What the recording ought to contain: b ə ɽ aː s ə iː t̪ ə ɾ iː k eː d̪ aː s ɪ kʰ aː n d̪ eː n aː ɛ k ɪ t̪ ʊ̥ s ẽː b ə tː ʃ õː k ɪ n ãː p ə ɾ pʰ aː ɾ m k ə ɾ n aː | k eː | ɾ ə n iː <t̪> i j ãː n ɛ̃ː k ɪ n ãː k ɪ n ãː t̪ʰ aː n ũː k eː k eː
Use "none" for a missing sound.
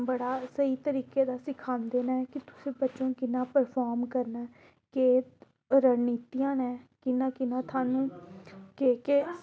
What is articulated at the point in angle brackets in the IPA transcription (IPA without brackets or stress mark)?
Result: t̪